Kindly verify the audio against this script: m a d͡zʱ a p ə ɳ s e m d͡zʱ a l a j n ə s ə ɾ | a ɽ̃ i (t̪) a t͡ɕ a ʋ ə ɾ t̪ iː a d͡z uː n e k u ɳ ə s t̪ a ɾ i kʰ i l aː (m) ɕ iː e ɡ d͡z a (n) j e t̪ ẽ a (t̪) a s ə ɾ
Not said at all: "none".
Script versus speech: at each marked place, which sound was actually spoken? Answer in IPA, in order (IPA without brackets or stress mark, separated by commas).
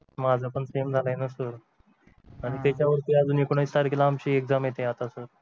t̪, m, m, t̪